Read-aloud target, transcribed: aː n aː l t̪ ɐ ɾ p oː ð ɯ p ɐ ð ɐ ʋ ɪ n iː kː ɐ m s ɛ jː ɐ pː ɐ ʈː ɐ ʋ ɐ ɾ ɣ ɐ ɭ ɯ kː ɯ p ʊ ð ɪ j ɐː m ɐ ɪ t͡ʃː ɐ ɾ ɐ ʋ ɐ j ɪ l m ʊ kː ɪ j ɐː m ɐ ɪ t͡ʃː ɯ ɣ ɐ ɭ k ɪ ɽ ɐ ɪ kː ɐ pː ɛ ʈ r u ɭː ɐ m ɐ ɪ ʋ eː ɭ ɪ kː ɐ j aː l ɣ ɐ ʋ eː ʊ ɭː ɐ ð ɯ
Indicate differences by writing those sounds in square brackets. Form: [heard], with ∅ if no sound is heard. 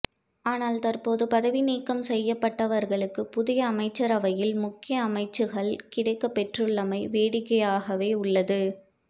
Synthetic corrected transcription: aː n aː l t̪ ɐ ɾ p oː ð ɯ p ɐ ð ɐ ʋ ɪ n iː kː ɐ m s ɛ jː ɐ pː ɐ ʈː ɐ ʋ ɐ ɾ ɣ ɐ ɭ ɯ kː ɯ p ʊ ð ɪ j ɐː m ɐ ɪ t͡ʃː ɐ ɾ ɐ ʋ ɐ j ɪ l m ʊ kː ɪ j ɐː m ɐ ɪ t͡ʃː ɯ ɣ ɐ ɭ k ɪ ɽ ɐ ɪ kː ɐ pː ɛ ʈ r [ɯ] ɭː ɐ m ɐ ɪ ʋ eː [ɽ] ɪ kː ɐ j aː [∅] ɣ ɐ ʋ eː ʊ ɭː ɐ ð ɯ

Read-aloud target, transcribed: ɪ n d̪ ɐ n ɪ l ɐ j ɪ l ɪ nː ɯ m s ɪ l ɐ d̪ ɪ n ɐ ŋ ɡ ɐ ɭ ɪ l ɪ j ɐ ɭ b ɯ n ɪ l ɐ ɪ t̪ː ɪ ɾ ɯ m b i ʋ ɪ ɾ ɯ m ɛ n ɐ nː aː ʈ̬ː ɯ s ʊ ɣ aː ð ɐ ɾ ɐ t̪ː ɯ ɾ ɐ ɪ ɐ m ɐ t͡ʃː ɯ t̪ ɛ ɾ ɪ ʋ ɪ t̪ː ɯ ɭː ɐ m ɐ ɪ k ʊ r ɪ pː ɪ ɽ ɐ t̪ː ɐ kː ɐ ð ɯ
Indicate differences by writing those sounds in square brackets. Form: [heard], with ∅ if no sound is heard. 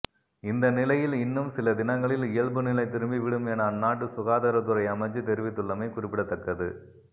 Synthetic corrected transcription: ɪ n d̪ ɐ n ɪ l ɐ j ɪ l ɪ nː ɯ m s ɪ l ɐ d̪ ɪ n ɐ ŋ ɡ ɐ ɭ ɪ l ɪ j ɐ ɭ b ɯ n ɪ l ɐ ɪ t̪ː ɪ ɾ ɯ m b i ʋ ɪ [ɽ] ɯ m ɛ n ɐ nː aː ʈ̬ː ɯ s ʊ ɣ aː ð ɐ ɾ ɐ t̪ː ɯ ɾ ɐ ɪ ɐ m ɐ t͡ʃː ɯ t̪ ɛ ɾ ɪ ʋ ɪ t̪ː ɯ ɭː ɐ m ɐ ɪ k ʊ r ɪ pː ɪ ɽ ɐ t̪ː ɐ kː ɐ ð ɯ

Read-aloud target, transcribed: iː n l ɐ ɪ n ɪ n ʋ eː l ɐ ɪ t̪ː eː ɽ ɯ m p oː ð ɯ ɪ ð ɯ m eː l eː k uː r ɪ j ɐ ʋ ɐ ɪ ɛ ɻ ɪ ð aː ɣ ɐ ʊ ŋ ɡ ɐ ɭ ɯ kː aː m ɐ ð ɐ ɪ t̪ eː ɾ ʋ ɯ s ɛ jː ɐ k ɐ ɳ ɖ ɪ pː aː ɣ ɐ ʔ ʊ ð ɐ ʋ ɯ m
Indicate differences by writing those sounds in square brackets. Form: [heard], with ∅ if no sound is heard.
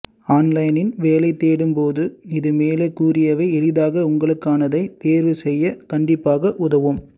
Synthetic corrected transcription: [aː] n l ɐ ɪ n ɪ n ʋ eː l ɐ ɪ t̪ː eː ɽ ɯ m p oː ð ɯ ɪ ð ɯ m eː l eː k uː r ɪ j ɐ ʋ ɐ ɪ ɛ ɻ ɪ ð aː ɣ ɐ ʊ ŋ ɡ ɐ ɭ ɯ kː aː [n] ɐ ð ɐ ɪ t̪ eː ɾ ʋ ɯ s ɛ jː ɐ k ɐ ɳ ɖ ɪ pː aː ɣ ɐ ʔ ʊ ð ɐ ʋ ɯ m

